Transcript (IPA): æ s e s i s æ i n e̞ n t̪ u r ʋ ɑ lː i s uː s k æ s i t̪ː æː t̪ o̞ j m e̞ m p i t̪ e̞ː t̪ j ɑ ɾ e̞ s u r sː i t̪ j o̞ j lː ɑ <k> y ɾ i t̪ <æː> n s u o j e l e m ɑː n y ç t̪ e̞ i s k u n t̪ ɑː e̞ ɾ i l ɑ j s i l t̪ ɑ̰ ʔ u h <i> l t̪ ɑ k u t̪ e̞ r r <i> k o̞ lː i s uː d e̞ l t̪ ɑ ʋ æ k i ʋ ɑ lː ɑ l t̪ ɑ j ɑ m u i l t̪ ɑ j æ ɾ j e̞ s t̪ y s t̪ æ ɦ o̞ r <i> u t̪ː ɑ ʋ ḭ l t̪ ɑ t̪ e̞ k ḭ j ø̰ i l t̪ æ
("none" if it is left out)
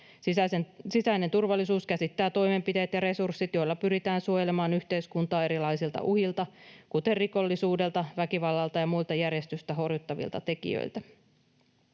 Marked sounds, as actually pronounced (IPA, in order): p, æː, i, i, j

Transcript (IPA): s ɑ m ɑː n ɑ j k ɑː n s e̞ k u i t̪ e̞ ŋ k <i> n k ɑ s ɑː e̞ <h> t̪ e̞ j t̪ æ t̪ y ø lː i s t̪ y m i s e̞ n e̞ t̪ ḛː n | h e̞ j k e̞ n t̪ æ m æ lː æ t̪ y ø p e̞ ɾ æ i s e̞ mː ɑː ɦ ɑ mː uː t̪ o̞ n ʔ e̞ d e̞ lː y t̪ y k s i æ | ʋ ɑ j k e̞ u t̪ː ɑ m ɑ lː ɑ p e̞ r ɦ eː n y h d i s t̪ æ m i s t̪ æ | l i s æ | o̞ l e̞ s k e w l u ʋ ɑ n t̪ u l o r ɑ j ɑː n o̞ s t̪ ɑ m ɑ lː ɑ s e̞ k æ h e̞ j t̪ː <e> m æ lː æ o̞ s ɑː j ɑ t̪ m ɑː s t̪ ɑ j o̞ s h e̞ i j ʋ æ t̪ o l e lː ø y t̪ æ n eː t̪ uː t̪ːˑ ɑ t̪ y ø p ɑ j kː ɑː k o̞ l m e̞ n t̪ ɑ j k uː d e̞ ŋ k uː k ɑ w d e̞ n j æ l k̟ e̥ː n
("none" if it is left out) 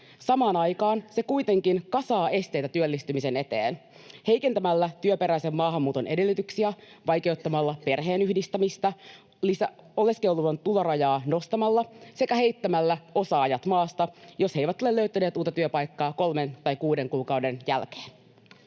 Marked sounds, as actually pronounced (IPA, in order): i, s, æ

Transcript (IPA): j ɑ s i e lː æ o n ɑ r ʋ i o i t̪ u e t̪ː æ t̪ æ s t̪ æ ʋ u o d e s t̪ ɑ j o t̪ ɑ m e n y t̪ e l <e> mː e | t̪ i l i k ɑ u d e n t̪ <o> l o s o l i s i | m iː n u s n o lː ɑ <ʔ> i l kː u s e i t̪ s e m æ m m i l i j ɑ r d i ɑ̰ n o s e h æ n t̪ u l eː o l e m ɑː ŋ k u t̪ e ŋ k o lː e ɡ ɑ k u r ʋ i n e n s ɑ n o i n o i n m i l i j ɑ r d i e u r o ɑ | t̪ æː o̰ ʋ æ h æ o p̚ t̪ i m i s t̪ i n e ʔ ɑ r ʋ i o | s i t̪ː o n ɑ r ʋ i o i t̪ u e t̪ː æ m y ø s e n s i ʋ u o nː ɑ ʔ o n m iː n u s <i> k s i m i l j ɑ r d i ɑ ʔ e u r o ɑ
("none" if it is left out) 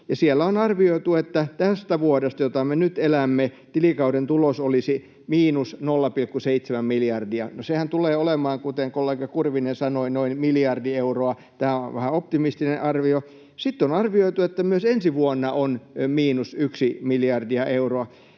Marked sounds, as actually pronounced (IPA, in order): æ, u, p, y

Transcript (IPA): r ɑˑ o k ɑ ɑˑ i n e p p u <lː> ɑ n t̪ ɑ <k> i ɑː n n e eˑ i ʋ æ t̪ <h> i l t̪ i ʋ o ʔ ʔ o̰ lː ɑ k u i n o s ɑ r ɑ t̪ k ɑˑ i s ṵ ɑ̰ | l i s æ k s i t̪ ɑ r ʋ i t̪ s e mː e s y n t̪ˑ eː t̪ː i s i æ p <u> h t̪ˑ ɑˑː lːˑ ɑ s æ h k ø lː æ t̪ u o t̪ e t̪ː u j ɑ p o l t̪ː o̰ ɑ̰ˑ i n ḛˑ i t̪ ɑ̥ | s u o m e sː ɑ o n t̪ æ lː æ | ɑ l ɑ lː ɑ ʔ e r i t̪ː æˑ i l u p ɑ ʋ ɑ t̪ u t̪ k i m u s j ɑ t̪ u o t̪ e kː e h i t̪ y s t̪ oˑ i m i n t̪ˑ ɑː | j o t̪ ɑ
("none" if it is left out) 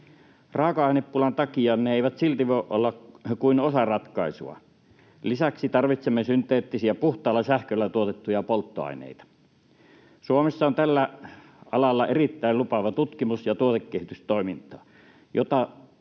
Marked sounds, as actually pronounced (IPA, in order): l, k, s, u

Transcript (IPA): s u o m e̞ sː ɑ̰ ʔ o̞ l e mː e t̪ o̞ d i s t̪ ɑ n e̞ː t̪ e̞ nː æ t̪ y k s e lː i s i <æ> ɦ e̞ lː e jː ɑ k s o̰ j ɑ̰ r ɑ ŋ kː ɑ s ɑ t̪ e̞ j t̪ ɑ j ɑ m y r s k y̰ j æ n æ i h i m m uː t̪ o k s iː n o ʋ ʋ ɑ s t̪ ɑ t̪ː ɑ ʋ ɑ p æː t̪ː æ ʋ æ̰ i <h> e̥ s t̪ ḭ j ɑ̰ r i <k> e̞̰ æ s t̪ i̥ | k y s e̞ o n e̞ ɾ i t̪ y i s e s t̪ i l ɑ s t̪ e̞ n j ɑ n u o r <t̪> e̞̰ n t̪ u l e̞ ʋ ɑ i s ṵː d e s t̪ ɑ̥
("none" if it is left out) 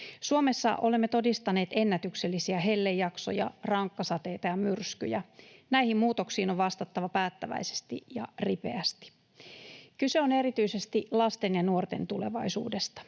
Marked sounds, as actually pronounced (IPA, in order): æ, s, p, t̪

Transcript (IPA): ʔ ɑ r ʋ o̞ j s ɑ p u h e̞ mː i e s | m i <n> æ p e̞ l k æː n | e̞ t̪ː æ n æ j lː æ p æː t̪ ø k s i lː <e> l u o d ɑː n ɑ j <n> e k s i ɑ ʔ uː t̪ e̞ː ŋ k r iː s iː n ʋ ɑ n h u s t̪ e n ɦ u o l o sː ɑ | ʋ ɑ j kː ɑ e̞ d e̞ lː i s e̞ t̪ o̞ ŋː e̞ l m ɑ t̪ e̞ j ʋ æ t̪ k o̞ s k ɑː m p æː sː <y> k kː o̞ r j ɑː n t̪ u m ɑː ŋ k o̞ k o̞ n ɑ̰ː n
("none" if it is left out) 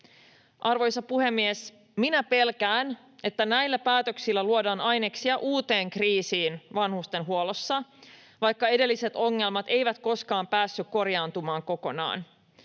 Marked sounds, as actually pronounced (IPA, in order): n, æ, n, y

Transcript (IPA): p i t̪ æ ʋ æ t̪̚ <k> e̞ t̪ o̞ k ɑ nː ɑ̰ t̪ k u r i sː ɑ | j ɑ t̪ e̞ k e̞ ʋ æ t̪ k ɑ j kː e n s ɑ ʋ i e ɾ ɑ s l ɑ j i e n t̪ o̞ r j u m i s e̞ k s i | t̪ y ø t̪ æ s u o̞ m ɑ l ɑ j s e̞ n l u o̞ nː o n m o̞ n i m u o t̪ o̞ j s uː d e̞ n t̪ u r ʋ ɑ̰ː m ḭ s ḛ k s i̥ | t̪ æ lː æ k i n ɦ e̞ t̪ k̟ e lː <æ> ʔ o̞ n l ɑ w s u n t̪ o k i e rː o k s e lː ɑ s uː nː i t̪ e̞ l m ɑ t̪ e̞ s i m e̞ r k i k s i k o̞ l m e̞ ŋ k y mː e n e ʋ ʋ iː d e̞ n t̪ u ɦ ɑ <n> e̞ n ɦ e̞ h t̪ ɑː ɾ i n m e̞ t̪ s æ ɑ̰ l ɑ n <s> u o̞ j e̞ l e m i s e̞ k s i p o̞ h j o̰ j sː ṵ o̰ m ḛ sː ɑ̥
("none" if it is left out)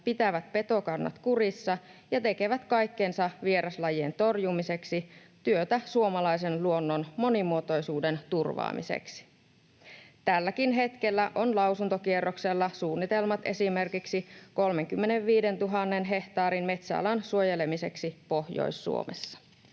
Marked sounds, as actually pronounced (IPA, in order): p, æ, nː, s

